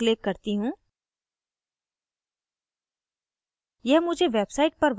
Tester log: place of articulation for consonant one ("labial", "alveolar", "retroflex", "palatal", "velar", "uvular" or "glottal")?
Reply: alveolar